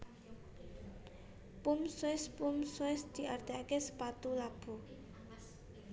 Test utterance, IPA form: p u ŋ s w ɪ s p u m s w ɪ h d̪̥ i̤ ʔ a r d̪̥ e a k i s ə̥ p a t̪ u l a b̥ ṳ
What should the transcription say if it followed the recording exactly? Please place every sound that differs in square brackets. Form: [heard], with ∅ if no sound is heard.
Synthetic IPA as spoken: p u [m] s w ɪ s p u m s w ɪ [s] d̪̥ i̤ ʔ a r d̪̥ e a k [e] s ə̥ p a t̪ u l a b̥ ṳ